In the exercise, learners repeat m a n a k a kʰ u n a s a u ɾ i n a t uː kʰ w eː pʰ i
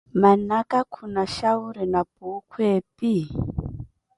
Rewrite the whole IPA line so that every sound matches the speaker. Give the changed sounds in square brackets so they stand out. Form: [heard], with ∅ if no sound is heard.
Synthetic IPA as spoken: m a n a k a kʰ u n a [ʃ] a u ɾ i n a [p] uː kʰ w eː [p] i